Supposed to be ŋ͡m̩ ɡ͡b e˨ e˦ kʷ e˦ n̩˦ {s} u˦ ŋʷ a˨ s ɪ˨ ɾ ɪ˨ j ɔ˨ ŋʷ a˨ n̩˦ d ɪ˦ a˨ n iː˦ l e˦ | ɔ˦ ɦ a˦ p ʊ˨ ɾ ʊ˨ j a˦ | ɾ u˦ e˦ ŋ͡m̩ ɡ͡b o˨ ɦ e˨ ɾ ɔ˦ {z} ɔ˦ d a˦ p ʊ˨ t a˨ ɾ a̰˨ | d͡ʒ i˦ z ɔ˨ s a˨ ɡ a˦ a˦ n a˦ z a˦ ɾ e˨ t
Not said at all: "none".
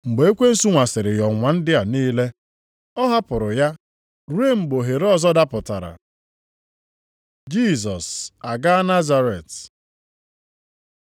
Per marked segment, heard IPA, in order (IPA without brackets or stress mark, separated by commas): s, z